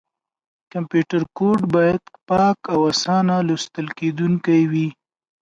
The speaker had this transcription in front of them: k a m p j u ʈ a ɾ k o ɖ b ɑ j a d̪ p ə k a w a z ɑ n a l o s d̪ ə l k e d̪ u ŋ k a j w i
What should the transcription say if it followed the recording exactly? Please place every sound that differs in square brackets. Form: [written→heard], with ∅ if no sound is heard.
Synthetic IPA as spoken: k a m p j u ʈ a ɾ k o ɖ b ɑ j a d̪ p [ə→ɑ] k a w a [z→s] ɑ n a l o s [d̪→t̪] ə l k e d̪ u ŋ k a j w i